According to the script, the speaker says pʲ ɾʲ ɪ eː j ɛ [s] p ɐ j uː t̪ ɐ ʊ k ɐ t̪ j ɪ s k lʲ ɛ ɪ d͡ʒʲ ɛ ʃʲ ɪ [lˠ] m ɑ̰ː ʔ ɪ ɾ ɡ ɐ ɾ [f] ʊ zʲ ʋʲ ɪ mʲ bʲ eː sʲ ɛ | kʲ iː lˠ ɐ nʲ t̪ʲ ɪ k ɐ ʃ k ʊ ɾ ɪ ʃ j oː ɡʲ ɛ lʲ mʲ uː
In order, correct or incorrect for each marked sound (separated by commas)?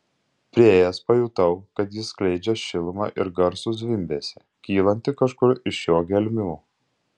correct, correct, incorrect